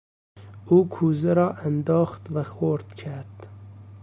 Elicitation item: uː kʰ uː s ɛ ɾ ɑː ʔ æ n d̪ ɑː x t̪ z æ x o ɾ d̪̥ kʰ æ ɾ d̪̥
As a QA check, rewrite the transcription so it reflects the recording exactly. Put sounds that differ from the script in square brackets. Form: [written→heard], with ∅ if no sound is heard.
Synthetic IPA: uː kʰ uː [s→z] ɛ ɾ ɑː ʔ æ n d̪ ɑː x t̪ [z→v] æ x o ɾ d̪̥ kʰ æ ɾ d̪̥